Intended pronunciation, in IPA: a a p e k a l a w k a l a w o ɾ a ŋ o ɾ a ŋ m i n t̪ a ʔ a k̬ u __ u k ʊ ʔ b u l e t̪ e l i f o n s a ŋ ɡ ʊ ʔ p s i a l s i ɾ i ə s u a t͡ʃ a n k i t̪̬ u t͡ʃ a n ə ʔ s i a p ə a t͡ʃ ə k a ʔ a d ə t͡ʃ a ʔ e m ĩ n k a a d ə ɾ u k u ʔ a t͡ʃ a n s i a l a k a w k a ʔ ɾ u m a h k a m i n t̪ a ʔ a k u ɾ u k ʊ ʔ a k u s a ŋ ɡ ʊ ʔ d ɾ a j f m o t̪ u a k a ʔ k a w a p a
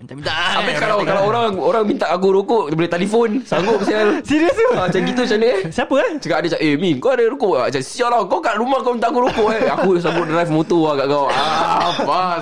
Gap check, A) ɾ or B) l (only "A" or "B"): A